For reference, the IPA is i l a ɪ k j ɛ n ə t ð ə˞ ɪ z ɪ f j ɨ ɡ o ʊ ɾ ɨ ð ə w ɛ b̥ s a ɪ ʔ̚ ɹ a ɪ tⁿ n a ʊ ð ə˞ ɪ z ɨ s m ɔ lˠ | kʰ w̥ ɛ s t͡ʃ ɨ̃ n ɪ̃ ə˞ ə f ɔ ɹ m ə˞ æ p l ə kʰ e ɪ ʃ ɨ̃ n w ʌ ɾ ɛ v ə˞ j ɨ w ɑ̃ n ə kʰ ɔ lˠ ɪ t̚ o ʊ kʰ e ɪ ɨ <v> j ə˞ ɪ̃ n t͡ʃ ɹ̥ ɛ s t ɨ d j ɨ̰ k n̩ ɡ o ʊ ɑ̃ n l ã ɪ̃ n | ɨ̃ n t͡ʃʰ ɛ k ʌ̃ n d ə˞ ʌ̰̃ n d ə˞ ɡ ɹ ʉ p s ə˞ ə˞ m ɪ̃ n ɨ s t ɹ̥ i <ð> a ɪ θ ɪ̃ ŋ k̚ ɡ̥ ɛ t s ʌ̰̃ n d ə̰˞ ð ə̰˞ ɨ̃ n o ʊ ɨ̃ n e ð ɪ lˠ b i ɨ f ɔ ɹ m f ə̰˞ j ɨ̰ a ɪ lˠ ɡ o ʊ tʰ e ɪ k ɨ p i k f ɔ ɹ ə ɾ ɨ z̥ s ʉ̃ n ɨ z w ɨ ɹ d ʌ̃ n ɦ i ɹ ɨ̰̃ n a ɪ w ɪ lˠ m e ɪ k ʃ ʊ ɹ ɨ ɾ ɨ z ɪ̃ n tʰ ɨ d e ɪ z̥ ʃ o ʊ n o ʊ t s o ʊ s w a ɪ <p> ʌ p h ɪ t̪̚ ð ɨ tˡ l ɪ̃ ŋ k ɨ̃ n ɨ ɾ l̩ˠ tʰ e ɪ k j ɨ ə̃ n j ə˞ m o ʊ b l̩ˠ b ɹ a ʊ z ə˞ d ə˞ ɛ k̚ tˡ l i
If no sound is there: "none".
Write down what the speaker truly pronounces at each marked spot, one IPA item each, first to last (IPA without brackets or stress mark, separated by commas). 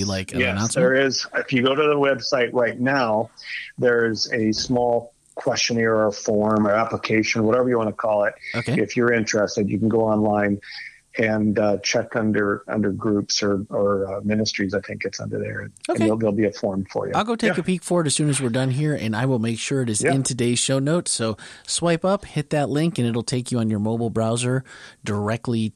f, z, p